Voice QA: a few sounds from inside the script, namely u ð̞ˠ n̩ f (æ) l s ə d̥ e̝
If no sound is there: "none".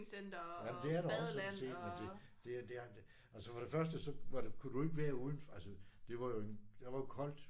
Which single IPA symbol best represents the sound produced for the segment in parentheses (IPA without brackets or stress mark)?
æ